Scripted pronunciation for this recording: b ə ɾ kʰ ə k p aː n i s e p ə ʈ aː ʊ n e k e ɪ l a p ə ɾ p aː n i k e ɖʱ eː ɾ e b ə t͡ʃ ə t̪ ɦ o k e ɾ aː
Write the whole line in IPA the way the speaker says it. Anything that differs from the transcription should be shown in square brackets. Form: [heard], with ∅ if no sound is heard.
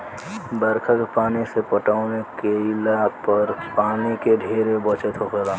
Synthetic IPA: b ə ɾ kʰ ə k p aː n i s e p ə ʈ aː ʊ n e k e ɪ l a p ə ɾ p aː n i k e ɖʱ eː ɾ e b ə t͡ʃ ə t̪ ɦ o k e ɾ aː